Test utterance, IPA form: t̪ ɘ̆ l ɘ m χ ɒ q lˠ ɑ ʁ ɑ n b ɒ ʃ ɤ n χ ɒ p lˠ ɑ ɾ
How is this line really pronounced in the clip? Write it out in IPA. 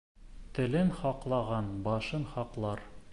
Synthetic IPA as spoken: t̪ ɘ̆ l ɘ n χ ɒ q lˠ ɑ ʁ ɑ n b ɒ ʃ ɤ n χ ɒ q lˠ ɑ ɾ